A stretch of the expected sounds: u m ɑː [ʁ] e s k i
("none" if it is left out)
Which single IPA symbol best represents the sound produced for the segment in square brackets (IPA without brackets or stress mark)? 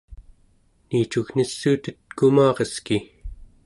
ʁ